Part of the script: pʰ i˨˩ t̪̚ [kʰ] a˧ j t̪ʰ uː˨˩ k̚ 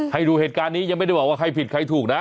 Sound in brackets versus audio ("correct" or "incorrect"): correct